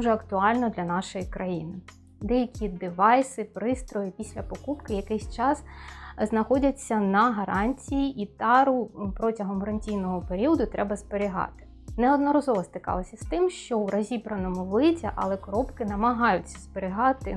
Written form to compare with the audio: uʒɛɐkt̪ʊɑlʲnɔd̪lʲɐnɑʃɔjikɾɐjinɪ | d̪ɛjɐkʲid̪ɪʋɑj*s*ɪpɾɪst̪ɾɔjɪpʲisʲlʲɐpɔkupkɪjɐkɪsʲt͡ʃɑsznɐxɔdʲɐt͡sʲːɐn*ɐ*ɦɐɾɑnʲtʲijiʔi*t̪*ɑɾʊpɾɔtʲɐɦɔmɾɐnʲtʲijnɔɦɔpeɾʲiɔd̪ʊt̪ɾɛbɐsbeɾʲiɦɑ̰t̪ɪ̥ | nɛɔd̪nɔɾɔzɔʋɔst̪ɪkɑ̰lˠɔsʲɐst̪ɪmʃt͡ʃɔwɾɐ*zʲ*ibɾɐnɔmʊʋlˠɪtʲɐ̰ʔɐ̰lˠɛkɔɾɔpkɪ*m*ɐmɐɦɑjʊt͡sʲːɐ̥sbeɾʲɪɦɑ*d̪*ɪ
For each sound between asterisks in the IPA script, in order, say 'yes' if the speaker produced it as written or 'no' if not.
yes, yes, yes, yes, no, no

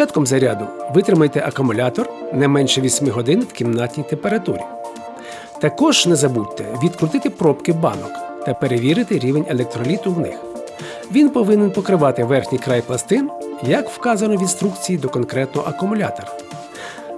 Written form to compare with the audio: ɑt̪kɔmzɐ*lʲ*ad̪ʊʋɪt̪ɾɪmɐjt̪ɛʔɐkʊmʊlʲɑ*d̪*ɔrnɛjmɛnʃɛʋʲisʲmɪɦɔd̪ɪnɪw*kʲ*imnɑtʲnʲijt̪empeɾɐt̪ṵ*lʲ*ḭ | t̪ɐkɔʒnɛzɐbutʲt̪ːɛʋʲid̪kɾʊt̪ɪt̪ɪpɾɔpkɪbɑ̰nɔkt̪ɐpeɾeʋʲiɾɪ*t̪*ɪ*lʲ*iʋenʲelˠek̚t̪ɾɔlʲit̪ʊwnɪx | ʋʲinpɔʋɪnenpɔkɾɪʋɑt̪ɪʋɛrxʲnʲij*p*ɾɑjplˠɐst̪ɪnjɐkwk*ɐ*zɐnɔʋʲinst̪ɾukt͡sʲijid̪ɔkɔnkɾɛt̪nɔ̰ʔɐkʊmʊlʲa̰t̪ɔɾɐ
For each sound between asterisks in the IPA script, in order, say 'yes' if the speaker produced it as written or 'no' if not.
no, no, yes, no, yes, no, no, no

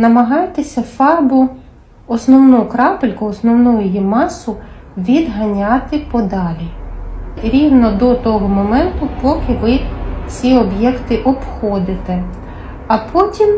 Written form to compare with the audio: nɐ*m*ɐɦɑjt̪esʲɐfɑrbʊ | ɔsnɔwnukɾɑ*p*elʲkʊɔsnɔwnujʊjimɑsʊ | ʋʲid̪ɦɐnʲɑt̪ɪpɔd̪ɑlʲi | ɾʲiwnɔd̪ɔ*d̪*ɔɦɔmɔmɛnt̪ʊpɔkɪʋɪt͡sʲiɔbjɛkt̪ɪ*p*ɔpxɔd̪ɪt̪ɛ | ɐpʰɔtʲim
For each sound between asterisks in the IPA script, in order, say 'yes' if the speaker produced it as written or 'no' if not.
yes, yes, no, no

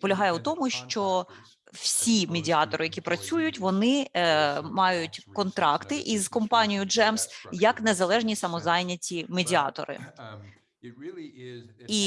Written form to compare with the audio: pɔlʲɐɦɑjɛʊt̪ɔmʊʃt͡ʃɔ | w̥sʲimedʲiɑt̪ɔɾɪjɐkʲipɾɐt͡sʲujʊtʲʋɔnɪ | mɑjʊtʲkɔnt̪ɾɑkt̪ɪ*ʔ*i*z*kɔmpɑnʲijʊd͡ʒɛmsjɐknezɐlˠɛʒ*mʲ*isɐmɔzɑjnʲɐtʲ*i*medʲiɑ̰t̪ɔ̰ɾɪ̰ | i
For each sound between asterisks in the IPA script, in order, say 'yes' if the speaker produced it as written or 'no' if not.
yes, yes, no, yes

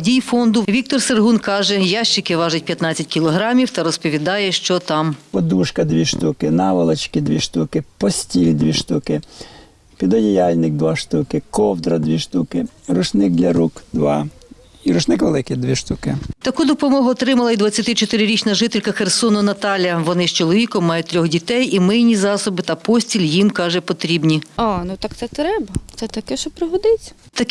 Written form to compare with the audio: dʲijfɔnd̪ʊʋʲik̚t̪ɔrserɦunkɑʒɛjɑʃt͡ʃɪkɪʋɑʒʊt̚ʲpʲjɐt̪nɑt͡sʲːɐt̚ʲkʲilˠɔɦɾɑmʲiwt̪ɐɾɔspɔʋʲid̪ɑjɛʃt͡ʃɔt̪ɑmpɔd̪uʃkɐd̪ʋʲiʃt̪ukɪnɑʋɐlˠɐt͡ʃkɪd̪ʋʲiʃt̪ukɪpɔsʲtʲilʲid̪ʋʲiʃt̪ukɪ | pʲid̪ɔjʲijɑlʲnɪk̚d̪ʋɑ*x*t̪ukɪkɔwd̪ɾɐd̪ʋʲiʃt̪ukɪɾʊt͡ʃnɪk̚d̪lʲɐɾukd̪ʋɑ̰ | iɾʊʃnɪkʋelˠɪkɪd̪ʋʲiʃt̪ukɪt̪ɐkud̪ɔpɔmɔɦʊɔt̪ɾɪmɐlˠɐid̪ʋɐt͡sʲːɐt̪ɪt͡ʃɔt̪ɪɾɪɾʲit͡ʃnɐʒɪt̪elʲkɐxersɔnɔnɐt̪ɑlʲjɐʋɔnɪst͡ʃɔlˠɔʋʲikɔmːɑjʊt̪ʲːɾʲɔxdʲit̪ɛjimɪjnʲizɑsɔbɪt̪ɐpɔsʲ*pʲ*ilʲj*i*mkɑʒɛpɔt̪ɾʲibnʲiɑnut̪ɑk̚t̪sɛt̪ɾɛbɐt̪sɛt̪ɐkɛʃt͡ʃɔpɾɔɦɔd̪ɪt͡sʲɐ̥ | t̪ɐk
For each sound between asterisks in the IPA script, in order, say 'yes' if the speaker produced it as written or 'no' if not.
no, no, yes

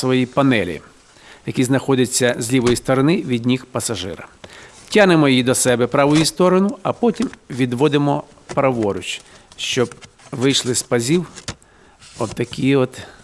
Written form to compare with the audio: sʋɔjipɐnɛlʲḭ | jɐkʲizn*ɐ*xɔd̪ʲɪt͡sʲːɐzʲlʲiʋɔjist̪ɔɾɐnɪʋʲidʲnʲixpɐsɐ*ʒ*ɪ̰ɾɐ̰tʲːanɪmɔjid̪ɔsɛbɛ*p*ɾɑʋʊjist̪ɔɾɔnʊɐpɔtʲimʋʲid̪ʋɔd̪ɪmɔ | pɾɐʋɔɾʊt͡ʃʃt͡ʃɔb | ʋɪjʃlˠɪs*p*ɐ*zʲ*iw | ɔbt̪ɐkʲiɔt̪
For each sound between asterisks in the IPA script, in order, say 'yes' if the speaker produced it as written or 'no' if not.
yes, yes, yes, yes, yes

